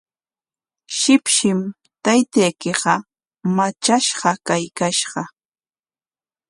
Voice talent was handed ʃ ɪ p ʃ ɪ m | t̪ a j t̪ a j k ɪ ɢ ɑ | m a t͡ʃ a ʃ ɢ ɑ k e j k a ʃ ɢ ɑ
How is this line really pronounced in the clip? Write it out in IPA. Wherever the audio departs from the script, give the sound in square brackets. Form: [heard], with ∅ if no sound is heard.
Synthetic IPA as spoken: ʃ ɪ p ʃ ɪ m | t̪ a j t̪ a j k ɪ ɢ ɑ | m a t͡ʃ a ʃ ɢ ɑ k [a] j k a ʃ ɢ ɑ